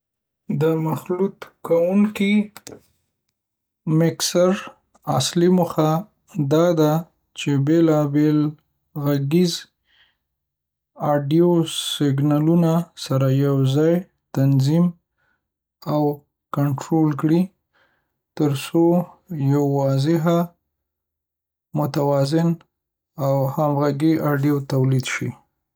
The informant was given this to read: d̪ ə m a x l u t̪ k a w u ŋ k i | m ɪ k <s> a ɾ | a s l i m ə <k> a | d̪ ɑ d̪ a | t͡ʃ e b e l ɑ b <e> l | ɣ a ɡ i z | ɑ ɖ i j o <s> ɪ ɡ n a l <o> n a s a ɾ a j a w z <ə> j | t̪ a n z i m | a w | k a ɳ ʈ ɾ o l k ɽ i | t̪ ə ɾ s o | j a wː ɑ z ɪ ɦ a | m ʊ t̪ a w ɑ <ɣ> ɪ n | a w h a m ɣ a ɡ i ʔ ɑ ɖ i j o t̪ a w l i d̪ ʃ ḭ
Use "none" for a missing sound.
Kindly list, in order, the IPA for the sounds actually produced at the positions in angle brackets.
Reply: s, x, e, s, u, ɑ, z

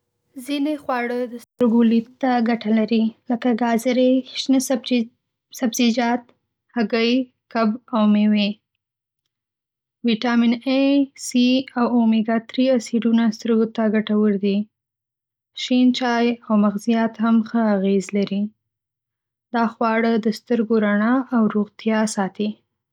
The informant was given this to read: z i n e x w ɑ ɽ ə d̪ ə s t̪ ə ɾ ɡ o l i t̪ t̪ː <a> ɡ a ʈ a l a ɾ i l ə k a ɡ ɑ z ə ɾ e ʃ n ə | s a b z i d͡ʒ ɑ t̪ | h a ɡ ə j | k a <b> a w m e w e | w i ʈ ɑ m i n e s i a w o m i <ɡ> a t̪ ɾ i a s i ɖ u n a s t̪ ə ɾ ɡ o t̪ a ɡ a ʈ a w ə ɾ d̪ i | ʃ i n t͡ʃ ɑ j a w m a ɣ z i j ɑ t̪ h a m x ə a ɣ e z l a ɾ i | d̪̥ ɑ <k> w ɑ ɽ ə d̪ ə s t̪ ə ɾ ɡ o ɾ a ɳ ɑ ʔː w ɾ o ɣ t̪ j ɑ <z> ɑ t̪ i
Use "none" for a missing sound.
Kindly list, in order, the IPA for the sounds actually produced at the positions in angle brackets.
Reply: a, b, ɡ, x, s

